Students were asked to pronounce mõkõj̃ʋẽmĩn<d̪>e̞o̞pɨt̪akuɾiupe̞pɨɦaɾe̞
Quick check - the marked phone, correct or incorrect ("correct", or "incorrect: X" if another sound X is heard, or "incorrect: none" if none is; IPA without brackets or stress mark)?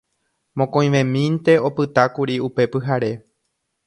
incorrect: t̪